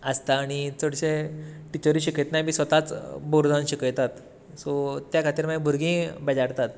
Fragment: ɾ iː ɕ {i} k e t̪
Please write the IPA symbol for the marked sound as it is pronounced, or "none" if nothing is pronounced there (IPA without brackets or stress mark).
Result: i